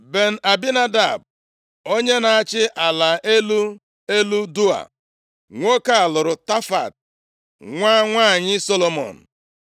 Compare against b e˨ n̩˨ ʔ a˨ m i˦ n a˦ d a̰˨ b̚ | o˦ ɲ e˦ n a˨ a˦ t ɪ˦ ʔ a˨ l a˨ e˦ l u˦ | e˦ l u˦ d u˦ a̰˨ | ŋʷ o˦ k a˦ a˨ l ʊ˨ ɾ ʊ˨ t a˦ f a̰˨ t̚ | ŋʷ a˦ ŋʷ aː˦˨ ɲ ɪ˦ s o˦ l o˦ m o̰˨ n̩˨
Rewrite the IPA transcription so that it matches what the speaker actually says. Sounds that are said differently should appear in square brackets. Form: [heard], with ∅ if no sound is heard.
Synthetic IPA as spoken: b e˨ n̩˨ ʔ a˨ [b] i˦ n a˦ d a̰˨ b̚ | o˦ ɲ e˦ n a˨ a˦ [t͡ʃ] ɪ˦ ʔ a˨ l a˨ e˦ l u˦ | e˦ l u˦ d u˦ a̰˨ | ŋʷ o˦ k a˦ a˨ l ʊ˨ ɾ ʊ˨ t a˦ f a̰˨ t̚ | ŋʷ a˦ ŋʷ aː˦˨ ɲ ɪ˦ s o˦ l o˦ m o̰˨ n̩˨